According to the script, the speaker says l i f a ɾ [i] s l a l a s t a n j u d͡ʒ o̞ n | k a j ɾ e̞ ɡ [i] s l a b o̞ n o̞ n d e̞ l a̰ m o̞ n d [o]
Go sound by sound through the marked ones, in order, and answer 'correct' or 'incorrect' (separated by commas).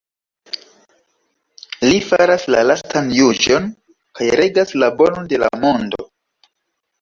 incorrect, incorrect, correct